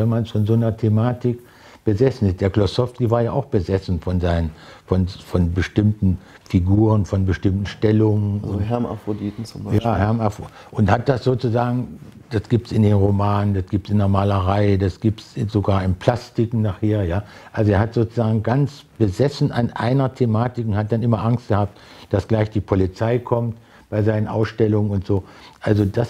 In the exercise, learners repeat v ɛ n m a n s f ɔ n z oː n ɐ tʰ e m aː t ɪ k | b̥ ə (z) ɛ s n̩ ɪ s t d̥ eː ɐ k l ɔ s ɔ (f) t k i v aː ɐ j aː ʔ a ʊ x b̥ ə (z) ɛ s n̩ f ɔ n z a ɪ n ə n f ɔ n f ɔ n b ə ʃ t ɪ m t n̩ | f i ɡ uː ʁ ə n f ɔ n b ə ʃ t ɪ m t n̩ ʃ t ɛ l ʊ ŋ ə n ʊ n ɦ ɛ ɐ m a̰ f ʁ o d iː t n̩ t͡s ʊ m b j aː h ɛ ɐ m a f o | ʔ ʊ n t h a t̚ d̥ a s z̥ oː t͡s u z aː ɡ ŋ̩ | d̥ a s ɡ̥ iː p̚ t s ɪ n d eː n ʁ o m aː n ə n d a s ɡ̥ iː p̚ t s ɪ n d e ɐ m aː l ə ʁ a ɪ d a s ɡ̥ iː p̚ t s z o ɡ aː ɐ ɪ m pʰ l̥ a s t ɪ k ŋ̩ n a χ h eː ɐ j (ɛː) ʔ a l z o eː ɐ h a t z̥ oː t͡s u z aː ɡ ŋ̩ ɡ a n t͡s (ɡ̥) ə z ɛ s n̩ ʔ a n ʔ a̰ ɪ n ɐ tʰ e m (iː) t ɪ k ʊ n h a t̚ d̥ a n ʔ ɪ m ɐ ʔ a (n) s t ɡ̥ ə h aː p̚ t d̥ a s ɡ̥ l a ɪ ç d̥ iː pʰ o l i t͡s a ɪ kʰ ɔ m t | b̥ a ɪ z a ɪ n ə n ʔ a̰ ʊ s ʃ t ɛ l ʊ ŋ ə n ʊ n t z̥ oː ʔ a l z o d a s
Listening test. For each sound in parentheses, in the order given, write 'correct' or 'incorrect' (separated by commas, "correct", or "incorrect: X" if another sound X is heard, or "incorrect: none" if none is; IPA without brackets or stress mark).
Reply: correct, correct, correct, incorrect: aː, incorrect: b̥, incorrect: aː, incorrect: ŋ